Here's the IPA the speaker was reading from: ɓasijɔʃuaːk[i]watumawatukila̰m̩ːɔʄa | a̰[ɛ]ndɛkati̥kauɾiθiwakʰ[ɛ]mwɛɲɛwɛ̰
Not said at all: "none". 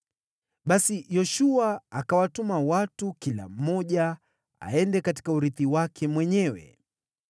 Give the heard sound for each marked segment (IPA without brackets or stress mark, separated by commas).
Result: a, ɛ, ɛ